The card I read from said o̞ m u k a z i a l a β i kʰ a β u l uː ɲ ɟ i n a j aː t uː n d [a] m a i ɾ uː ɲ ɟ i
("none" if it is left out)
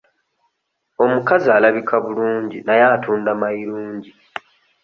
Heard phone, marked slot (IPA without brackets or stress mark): a